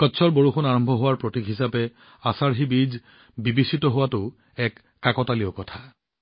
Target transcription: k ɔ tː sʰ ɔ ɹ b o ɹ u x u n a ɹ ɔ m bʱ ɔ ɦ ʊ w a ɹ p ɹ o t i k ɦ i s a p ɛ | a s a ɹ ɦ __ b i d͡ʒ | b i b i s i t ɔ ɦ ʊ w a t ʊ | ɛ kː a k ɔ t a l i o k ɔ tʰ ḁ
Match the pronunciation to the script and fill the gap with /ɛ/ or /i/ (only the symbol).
i